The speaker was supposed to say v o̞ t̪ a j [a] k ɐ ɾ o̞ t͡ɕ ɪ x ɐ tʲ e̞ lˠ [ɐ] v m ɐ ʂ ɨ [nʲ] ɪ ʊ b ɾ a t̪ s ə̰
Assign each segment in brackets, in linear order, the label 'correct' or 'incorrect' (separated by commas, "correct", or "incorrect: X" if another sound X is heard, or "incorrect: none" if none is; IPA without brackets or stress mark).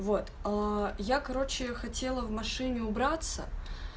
correct, incorrect: ə, correct